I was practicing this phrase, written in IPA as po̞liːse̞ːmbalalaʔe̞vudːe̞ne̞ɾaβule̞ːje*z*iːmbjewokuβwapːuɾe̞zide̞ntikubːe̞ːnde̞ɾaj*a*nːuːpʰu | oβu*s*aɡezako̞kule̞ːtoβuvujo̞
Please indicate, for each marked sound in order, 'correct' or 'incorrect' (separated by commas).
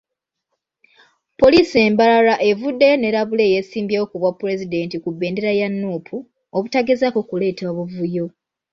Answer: incorrect, correct, incorrect